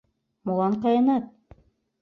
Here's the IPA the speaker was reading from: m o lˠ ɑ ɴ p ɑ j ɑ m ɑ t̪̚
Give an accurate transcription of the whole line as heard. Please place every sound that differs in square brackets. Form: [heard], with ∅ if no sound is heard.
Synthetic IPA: m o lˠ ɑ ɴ [q] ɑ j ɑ [n] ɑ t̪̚